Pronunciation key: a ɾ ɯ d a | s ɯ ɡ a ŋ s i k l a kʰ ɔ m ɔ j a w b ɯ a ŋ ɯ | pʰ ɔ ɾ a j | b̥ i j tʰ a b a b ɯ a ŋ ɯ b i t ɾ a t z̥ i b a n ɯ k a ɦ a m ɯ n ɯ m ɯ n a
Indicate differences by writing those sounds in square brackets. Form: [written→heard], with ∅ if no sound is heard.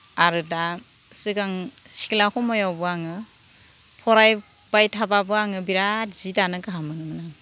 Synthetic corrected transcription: a ɾ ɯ d a | s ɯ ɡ a ŋ s i k l a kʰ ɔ m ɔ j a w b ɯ a ŋ ɯ | pʰ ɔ ɾ a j | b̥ [i→a] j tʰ a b a b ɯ a ŋ ɯ b i [t→∅] ɾ a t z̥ i [b→d] a n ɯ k a ɦ a m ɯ n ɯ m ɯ n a